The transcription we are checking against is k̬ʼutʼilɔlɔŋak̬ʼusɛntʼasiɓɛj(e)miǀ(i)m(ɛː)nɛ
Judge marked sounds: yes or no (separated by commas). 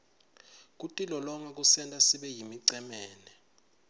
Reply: no, no, yes